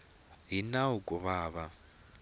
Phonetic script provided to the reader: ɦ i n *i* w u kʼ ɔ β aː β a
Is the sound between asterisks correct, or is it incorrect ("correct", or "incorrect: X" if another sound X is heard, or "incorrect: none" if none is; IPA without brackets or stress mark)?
incorrect: a